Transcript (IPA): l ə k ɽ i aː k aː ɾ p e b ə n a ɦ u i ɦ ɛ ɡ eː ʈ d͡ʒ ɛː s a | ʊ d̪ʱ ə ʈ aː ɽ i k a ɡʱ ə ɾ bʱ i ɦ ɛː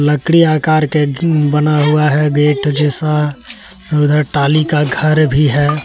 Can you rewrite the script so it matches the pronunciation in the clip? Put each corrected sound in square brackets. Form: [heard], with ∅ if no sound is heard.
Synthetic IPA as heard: l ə k ɽ i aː k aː ɾ [k] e b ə n a ɦ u [a] ɦ ɛ ɡ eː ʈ d͡ʒ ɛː s a | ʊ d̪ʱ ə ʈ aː [l] i k a ɡʱ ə ɾ bʱ i ɦ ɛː